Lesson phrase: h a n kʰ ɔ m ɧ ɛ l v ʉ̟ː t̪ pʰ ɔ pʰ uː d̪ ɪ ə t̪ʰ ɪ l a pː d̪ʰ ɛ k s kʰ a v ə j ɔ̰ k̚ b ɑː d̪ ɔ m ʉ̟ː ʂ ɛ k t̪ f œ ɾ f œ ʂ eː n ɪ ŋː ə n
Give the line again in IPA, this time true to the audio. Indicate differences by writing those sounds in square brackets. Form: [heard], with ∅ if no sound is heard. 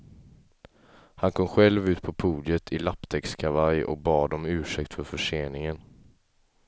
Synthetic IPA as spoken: h a n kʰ ɔ m ɧ ɛ l v ʉ̟ː t̪ pʰ ɔ pʰ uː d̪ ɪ ə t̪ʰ ɪ l a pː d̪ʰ ɛ k s kʰ a v [a] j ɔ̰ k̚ b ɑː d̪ ɔ m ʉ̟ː ʂ ɛ k t̪ f œ ɾ f œ ʂ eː n ɪ [ŋ] ə n

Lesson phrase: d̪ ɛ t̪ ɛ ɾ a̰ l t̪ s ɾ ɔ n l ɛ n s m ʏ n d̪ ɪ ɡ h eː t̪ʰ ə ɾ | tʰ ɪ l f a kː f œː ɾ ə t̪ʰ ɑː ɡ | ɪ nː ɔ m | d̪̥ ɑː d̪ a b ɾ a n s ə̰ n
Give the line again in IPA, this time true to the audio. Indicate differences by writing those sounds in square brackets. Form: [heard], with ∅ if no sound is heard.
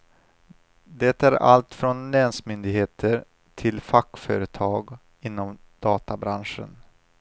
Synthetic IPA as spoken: d̪ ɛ t̪ [æ] ɾ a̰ l t̪ [f] ɾ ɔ n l ɛ n s m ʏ n d̪ ɪ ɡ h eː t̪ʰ ə ɾ | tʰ ɪ l f a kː f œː ɾ ə t̪ʰ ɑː ɡ | ɪ nː ɔ m | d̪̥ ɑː [t̪] a b ɾ a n [ʂ] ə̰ n

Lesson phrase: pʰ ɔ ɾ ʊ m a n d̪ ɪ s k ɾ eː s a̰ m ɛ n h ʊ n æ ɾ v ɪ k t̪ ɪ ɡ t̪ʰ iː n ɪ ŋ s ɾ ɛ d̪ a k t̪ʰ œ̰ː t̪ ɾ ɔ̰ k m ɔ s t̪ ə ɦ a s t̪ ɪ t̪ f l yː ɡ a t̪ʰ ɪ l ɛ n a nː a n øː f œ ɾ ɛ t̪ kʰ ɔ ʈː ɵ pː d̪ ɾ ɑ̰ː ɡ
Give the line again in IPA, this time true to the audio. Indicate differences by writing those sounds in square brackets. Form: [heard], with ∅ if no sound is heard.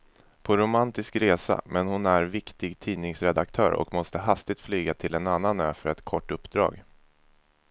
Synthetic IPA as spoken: pʰ ɔ ɾ ʊ m a n [t̪] ɪ s k ɾ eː s a̰ m ɛ n h ʊ n æ ɾ v ɪ k t̪ ɪ ɡ t̪ʰ iː n ɪ ŋ s ɾ ɛ d̪ a k t̪ʰ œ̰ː [∅] ɾ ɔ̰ k m ɔ s t̪ ə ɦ a s t̪ ɪ t̪ f l yː ɡ a t̪ʰ ɪ l ɛ n a nː a n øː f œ ɾ ɛ t̪ kʰ ɔ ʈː ɵ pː d̪ ɾ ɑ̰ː ɡ

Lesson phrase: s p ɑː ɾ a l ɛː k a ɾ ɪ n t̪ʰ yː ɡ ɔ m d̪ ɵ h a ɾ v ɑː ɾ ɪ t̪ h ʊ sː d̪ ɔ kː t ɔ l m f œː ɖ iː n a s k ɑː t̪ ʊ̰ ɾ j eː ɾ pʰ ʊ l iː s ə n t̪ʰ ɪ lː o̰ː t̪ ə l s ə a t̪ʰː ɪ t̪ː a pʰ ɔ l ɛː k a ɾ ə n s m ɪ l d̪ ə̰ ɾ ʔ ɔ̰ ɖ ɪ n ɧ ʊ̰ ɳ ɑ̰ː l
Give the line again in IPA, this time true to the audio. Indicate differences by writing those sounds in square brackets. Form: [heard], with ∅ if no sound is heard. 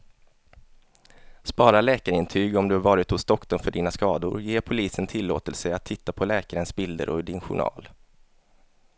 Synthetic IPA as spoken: s p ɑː ɾ a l ɛː k a ɾ ɪ n t̪ʰ yː ɡ ɔ m d̪ ɵ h a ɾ v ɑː ɾ ɪ t̪ h ʊ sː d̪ ɔ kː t ɔ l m f [œ] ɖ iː n a s k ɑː [d̪] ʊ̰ ɾ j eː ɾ pʰ ʊ l iː s ə n t̪ʰ ɪ lː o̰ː t̪ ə l s ə a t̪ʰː ɪ t̪ː a pʰ ɔ l ɛː k a ɾ ə n s [b] ɪ l d̪ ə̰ ɾ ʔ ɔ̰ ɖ ɪ n ɧ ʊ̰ ɳ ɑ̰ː l

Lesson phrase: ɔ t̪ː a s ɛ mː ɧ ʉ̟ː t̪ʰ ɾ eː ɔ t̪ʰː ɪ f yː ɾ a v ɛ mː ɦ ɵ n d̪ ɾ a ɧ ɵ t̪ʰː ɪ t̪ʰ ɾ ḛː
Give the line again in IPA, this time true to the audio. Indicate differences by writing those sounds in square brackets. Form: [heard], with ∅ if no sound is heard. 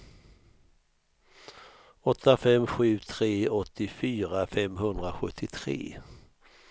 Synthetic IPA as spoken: ɔ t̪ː a [f] ɛ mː ɧ ʉ̟ː t̪ʰ ɾ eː ɔ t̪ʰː ɪ f yː ɾ a [f] ɛ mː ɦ ɵ n d̪ ɾ a ɧ ɵ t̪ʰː ɪ t̪ʰ ɾ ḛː

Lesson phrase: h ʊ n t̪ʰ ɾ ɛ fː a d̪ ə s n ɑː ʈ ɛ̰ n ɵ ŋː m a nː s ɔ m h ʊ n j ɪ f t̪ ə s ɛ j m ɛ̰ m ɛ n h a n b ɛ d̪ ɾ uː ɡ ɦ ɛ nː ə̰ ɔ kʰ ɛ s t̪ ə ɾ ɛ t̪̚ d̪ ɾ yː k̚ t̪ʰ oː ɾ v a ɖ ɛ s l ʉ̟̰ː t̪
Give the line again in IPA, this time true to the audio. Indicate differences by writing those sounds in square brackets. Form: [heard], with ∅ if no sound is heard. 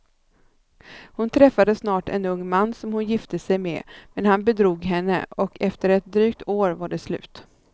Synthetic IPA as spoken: h ʊ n t̪ʰ ɾ ɛ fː a d̪ ə s n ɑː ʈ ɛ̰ n ɵ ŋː m a nː s ɔ m h ʊ n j ɪ f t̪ ə s ɛ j m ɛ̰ m ɛ n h a n b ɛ d̪ ɾ uː ɡ ɦ ɛ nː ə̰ ɔ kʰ ɛ [f] t̪ ə ɾ ɛ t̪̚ d̪ ɾ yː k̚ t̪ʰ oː ɾ v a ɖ ɛ s l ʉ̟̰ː t̪

